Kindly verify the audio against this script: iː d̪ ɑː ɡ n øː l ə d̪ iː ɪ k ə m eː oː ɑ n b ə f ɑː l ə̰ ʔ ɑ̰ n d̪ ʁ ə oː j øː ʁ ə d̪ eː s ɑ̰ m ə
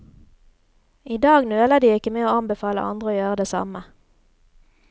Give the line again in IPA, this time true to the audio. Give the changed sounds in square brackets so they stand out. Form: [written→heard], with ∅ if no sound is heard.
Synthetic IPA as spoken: iː d̪ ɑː ɡ n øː l ə d̪ iː ɪ k ə m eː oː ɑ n b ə f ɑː l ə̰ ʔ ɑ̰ n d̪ ʁ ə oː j øː ʁ ə d̪ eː s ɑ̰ m ə